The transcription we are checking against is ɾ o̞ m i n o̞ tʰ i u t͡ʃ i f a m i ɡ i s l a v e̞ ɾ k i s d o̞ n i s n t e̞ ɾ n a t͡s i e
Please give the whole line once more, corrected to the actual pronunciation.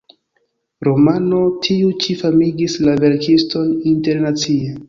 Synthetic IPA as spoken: ɾ o̞ m a n o̞ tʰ i u t͡ʃ i f a m i ɡ i s l a v e̞ ɾ k i s t o̞ n i n t e̞ ɾ n a t͡s i e